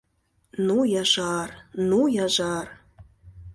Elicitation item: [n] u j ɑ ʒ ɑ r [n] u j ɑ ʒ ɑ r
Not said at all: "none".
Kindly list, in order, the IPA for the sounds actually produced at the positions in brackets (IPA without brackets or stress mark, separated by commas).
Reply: n, n